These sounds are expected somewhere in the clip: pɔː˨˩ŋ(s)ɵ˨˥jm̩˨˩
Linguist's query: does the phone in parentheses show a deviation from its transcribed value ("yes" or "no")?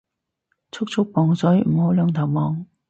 no